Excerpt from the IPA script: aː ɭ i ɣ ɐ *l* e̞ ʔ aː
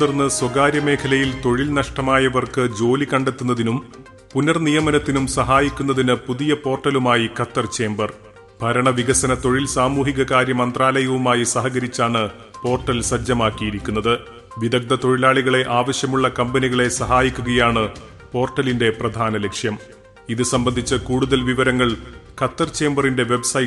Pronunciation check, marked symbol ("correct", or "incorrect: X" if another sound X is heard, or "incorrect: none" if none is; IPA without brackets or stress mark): incorrect: ɭ